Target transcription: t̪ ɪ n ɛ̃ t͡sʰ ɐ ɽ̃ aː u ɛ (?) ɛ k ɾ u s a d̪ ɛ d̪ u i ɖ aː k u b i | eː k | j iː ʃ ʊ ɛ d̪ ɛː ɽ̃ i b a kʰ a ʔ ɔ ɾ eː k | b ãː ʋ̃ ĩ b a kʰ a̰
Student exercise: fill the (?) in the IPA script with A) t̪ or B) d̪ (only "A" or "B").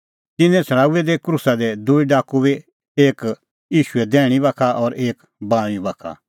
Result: B